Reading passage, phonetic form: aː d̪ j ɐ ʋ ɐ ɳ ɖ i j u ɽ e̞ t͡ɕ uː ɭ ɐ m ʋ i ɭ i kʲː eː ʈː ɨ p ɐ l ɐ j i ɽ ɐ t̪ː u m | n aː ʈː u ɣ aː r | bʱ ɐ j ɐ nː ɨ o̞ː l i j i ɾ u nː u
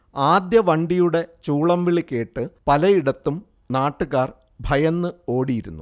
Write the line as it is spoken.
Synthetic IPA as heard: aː d̪ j ɐ ʋ ɐ ɳ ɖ i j u ɽ e̞ t͡ɕ uː ɭ ɐ m ʋ i ɭ i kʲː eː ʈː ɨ p ɐ l ɐ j i ɽ ɐ t̪ː u m | n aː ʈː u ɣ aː r | bʱ ɐ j ɐ nː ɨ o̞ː ɽ i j i ɾ u nː u